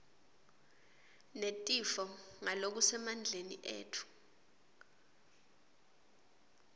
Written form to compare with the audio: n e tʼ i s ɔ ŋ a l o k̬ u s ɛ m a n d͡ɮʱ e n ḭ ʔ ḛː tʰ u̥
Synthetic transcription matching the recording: n e tʼ i f ɔ ŋ a l o k̬ u s ɛ m a n d͡ɮʱ e n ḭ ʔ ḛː tʰ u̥